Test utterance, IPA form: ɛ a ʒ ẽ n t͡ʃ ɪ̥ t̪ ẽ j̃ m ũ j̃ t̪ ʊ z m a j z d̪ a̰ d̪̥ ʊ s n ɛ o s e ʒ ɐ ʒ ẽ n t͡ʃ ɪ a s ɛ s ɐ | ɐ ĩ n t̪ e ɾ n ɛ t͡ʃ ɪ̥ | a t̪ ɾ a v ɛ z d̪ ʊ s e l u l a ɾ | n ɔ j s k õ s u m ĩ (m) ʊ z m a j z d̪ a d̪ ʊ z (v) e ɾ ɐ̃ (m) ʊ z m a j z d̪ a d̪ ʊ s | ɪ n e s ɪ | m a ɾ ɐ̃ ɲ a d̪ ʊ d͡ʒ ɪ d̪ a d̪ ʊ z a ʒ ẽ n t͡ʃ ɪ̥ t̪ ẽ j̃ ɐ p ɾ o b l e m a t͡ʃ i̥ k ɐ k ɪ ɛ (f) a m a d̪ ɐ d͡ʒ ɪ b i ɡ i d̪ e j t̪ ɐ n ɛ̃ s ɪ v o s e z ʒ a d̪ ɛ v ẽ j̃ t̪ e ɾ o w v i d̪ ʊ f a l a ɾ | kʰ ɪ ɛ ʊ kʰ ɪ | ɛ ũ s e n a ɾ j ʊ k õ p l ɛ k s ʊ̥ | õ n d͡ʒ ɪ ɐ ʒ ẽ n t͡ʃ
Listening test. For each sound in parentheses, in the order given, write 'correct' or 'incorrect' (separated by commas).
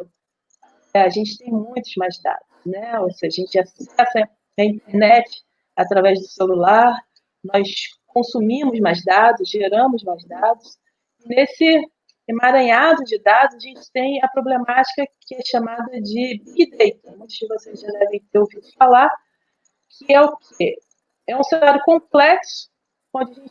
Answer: correct, incorrect, correct, incorrect